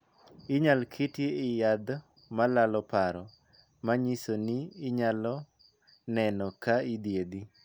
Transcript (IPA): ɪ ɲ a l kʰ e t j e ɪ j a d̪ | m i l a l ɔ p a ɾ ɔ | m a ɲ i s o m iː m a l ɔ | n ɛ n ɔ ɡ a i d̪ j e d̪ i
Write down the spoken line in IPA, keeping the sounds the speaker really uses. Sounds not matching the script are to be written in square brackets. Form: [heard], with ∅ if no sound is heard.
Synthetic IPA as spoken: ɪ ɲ a l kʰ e t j e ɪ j a d̪ | m [a] l a l ɔ p a ɾ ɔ | m a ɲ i s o [n] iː [ɲ] a l ɔ | n ɛ n ɔ [k] a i d̪ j e d̪ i